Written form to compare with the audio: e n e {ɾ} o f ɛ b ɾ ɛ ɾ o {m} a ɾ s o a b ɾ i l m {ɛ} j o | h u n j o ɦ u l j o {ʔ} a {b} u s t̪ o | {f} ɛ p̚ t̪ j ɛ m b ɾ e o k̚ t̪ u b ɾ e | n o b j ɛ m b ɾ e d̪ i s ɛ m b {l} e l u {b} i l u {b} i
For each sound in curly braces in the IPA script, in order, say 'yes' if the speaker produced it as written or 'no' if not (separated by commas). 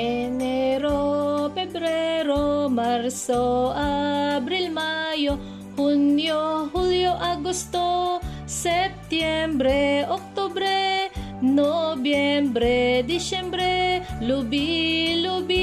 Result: yes, yes, no, yes, no, no, no, yes, yes